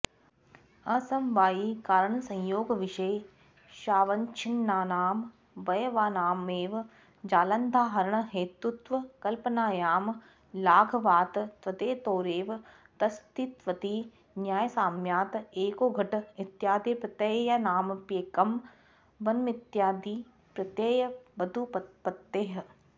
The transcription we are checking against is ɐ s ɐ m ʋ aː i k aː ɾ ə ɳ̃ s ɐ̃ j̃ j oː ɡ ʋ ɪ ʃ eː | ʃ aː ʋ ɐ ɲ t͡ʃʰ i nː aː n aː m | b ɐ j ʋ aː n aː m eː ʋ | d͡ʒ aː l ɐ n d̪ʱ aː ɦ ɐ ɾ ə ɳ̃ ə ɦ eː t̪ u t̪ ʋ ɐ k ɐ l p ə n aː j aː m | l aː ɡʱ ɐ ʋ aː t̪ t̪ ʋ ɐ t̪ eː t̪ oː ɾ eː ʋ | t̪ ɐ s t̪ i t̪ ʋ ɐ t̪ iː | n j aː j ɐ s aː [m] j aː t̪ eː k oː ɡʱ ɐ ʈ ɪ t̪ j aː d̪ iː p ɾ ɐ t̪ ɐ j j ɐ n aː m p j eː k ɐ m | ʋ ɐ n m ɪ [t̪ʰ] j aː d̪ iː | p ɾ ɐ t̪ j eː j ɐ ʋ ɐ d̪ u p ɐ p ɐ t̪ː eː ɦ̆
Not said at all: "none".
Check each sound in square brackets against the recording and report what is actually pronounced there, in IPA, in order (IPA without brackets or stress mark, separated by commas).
m, t̪